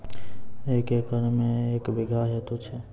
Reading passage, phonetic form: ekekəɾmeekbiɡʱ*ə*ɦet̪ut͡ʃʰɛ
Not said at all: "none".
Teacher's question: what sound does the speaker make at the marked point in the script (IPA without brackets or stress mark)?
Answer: a